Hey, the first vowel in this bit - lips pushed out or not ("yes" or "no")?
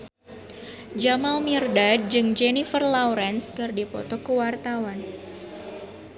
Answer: no